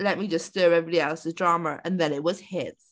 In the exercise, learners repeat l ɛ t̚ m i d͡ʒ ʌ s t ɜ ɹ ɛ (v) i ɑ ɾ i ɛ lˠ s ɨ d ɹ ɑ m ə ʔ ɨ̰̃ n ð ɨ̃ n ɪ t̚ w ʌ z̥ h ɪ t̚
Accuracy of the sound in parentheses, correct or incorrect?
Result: correct